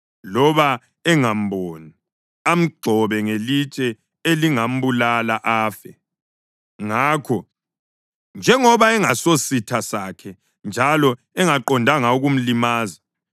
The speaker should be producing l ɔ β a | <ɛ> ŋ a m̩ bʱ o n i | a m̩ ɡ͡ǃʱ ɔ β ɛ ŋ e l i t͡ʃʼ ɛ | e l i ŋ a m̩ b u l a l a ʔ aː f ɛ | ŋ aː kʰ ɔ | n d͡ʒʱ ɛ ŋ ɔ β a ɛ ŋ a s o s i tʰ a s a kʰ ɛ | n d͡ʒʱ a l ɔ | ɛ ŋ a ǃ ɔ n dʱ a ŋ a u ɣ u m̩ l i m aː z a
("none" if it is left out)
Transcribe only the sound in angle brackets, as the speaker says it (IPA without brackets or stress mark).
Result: ɛ